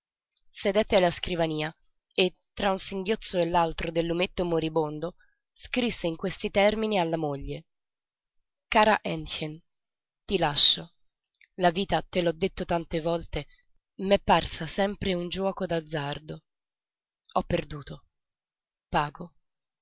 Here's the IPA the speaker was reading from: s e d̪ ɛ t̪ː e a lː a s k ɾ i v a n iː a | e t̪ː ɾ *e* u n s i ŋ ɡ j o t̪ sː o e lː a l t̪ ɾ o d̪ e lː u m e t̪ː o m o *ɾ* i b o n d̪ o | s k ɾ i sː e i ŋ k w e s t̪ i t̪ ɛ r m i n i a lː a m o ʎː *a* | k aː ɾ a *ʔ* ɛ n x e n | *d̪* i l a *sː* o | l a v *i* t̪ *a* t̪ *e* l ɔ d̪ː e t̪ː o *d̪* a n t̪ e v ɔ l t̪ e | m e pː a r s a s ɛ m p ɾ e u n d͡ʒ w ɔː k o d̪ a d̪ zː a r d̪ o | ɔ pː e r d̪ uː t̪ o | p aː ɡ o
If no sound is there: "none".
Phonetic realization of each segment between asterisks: a, ɾ, e, ʔ, t̪, ʃː, iː, a, e, t̪

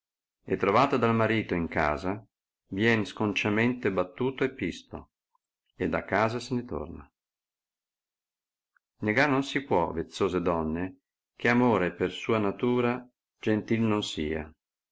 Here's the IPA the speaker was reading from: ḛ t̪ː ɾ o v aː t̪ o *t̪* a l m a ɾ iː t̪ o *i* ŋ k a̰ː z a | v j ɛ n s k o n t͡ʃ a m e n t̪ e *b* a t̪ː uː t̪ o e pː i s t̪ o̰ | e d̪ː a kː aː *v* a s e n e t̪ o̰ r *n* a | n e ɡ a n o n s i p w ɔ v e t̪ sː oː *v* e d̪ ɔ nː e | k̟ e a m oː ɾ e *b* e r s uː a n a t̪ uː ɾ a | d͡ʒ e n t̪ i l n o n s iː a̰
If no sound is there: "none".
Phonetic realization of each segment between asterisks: d̪, i, b, z, n, z, p

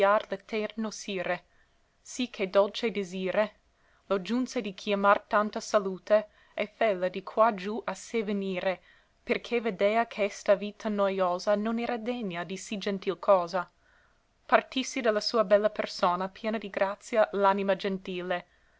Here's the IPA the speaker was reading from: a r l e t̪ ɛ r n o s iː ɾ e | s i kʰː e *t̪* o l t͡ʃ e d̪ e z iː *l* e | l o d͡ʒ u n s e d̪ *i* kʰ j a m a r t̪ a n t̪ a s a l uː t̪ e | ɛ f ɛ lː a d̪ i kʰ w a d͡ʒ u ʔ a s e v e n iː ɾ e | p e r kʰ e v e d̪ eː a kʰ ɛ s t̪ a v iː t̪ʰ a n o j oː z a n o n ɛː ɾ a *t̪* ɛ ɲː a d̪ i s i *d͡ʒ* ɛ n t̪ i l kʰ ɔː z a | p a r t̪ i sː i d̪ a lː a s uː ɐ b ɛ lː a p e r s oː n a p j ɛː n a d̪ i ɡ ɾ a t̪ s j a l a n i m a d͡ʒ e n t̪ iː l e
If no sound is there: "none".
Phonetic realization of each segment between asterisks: d̪, ɾ, i, d̪, d͡ʒ

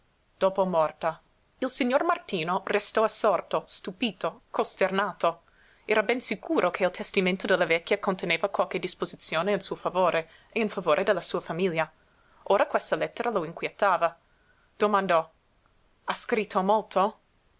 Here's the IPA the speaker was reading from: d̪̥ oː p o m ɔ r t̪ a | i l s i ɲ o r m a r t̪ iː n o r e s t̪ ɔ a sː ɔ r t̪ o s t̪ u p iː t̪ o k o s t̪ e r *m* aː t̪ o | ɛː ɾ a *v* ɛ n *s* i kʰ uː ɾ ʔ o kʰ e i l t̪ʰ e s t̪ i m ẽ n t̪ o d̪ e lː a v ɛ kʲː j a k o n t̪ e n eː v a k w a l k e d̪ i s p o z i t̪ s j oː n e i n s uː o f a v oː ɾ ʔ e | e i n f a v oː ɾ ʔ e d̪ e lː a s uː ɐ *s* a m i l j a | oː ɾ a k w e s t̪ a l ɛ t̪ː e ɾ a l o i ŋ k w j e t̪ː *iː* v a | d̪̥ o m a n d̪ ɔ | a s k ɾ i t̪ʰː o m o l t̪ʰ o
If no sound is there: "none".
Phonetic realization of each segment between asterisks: n, b, s, f, aː

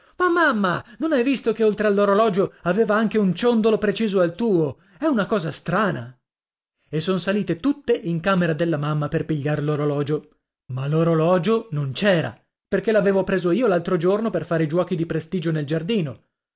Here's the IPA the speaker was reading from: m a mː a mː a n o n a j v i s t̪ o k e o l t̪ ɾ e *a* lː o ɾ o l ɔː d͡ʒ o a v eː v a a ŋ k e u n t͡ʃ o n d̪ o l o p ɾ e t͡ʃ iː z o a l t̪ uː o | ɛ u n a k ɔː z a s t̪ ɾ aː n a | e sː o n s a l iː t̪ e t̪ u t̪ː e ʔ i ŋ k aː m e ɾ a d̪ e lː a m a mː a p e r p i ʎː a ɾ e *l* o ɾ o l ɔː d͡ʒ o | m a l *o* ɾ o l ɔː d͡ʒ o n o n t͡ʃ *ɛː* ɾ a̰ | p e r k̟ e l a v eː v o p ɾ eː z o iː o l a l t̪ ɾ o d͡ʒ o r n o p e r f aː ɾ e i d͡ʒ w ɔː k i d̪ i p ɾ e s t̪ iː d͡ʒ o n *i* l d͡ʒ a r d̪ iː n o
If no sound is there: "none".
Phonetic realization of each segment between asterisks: a, l, o, ɛː, e

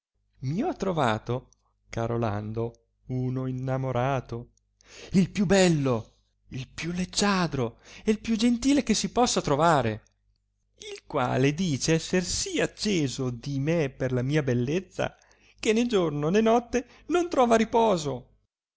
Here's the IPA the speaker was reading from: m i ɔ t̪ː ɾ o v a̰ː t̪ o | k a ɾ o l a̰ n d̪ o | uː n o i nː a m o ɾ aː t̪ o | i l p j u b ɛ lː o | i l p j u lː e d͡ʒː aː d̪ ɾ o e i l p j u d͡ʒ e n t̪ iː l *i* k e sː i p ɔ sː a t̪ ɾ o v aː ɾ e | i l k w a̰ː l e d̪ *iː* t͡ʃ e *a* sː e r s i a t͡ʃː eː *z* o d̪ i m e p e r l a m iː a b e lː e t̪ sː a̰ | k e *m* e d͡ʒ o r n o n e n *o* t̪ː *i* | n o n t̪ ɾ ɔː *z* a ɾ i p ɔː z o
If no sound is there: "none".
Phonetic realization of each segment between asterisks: e, iː, ɛ, z, n, ɔ, e, v

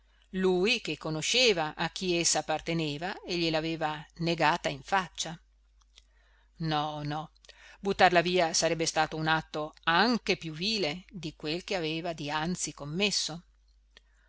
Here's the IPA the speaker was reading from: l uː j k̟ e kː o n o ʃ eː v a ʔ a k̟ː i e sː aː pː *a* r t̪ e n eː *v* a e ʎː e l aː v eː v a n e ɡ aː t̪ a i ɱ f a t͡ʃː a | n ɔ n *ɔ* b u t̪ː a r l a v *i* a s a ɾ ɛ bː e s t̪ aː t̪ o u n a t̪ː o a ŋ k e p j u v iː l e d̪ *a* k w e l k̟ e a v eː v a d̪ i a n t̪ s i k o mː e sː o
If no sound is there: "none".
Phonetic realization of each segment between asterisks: a, v, ɔ, iː, i

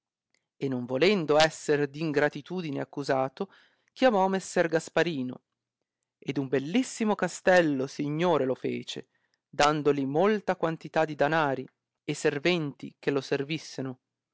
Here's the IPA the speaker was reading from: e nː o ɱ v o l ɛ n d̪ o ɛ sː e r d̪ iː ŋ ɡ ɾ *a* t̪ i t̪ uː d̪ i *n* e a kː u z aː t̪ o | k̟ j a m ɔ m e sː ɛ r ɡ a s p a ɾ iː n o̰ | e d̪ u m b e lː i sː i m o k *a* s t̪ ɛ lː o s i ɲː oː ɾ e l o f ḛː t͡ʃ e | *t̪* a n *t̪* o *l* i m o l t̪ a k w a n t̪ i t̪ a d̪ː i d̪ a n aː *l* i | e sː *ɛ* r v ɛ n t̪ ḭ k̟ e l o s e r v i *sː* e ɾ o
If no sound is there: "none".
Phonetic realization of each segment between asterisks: a, n, a, d̪, d̪, l, ɾ, e, sː

